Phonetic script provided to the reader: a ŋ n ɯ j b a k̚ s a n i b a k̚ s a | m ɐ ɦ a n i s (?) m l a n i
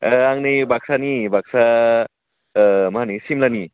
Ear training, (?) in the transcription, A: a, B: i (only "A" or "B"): B